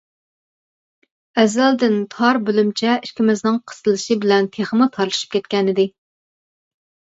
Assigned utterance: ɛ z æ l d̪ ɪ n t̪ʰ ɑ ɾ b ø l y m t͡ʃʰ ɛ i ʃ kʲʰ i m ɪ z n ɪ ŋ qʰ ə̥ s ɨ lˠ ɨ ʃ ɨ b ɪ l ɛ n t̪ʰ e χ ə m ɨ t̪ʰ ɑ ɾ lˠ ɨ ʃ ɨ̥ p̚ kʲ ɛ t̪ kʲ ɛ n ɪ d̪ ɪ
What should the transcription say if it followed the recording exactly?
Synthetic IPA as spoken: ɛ z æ l d̪ ɪ n t̪ʰ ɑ ɾ b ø l y m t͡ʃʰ ɛ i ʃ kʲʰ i m ɪ z n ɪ ŋ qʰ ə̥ s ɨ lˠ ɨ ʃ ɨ b ɪ l ɛ n t̪ʰ e χ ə m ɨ t̪ʰ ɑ ɾ lˠ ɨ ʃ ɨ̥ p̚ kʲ ɛ t̪ kʲ ɛ n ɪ d̪ ɪ

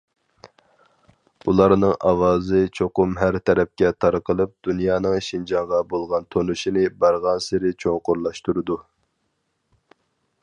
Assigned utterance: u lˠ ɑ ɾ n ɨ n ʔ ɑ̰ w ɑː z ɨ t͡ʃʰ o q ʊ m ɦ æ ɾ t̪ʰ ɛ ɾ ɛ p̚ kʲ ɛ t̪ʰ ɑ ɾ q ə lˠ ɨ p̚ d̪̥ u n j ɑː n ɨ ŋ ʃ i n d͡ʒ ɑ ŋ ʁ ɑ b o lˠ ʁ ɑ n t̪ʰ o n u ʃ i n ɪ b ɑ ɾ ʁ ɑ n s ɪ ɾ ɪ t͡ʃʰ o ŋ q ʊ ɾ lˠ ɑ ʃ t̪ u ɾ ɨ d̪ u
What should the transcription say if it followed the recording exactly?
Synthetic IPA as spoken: u lˠ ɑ ɾ n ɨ ŋ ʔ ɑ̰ w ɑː z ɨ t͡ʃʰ o q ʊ m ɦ æ ɾ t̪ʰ ɛ ɾ ɛ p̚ kʲ ɛ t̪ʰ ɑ ɾ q ə lˠ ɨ p̚ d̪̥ u n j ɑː n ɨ ŋ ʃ i n d͡ʒ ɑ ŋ ʁ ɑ b o lˠ ʁ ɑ n t̪ʰ o n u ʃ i n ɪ b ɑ ɾ ʁ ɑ n s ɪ ɾ ɪ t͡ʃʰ o ŋ q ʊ ɾ lˠ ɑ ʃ t̪ u ɾ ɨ d̪ u

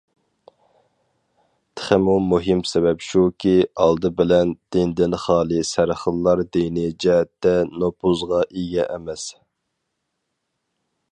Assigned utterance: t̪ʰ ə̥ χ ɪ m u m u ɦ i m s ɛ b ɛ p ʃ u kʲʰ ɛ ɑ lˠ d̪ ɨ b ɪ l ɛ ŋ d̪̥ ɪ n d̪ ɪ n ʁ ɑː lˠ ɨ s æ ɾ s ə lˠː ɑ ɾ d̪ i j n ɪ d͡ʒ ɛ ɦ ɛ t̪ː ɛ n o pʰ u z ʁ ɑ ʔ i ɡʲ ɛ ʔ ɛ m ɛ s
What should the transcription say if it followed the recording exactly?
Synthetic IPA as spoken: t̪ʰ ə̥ χ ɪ m u m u ɦ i m s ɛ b ɛ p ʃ u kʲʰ i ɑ lˠ d̪ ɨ b ɪ l ɛ n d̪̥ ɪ n d̪ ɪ n χ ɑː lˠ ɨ s æ ɾ χ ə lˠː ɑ ɾ d̪ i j n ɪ d͡ʒ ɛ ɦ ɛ t̪ː ɛ n o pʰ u z ʁ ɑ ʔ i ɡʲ ɛ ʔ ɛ m ɛ s

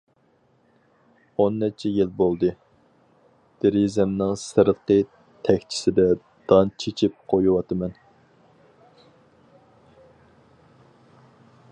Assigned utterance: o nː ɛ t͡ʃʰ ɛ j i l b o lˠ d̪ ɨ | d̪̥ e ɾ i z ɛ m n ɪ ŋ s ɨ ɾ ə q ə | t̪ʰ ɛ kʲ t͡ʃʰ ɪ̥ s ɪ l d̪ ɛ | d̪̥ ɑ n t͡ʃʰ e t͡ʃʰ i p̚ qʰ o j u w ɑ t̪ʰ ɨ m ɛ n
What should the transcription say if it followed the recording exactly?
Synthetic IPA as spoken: o nː ɛ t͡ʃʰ ɛ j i l b o lˠ d̪ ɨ | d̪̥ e ɾ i z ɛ m n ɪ ŋ s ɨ ɾ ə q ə | t̪ʰ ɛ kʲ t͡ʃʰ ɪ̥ s ɪ d̪ ɛ | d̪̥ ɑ n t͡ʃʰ e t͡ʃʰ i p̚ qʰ o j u w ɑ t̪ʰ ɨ m ɛ n

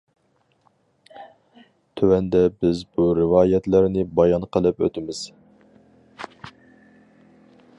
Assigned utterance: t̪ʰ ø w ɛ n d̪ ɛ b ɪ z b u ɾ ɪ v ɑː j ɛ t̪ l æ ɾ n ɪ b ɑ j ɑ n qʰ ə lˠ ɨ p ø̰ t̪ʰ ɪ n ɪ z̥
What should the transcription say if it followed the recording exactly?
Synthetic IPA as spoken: t̪ʰ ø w ɛ n d̪ ɛ b ɪ z b u ɾ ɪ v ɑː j ɛ t̪ l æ ɾ n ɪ b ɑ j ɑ n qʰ ə lˠ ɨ p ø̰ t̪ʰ ɪ m ɪ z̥

